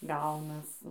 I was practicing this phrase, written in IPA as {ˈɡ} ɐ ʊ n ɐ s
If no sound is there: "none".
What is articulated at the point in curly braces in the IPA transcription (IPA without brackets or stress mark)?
ɡ